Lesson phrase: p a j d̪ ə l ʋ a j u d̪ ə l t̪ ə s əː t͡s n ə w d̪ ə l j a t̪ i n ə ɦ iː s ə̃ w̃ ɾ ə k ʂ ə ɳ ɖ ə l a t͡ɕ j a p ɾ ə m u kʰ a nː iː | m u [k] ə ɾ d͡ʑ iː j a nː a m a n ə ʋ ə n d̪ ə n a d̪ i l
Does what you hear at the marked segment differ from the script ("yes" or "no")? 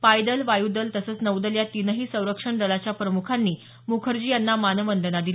yes